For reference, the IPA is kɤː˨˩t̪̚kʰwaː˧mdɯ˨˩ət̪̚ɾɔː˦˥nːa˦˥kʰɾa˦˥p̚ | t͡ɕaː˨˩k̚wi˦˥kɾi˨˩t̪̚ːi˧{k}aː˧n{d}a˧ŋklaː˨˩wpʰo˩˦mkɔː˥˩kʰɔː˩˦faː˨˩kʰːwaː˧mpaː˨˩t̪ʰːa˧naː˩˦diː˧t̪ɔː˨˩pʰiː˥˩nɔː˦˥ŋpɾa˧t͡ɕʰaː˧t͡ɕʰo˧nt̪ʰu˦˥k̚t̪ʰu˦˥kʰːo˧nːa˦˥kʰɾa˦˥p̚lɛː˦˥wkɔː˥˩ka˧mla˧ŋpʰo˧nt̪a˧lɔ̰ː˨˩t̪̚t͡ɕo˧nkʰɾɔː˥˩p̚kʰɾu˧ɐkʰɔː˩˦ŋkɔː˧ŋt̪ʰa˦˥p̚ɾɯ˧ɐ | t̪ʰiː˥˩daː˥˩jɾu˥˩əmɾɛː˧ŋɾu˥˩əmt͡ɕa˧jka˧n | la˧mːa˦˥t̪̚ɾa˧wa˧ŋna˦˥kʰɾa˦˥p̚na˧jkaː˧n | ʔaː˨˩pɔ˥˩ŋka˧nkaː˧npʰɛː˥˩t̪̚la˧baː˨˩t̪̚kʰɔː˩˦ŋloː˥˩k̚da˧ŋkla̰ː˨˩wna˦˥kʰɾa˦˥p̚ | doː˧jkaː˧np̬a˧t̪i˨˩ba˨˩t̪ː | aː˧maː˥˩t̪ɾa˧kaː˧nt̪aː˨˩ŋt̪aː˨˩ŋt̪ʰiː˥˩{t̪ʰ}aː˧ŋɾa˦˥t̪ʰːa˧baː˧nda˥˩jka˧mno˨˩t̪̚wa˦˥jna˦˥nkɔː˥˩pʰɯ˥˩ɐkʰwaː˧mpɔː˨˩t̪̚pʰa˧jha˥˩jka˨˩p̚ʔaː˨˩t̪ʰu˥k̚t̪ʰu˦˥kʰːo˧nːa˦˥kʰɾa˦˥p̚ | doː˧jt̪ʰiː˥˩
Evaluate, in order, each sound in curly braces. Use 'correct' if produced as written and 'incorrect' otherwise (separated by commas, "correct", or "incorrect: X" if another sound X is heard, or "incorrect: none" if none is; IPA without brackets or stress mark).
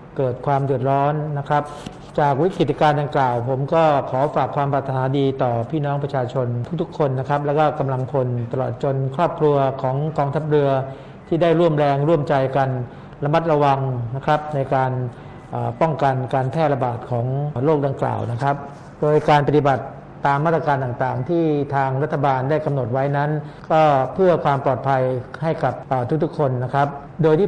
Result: correct, correct, correct